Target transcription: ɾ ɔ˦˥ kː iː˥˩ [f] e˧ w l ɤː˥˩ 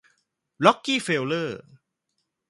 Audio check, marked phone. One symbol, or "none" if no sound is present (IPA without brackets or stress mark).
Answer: f